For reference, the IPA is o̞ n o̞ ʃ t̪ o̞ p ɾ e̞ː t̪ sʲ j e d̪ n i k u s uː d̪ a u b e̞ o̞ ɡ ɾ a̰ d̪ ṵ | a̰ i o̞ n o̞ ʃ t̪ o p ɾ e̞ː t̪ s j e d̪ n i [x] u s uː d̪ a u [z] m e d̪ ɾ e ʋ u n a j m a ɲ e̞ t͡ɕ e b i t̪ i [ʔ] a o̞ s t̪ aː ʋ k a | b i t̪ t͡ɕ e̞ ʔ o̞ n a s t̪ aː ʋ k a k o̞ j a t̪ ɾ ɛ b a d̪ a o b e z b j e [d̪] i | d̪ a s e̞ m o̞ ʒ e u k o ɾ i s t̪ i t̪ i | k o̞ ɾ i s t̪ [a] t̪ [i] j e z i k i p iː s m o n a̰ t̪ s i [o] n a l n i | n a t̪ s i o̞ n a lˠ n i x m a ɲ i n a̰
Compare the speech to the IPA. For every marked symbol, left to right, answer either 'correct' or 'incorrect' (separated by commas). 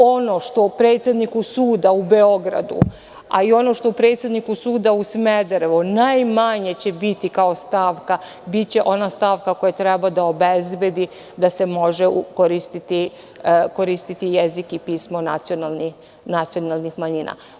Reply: incorrect, incorrect, incorrect, correct, incorrect, correct, correct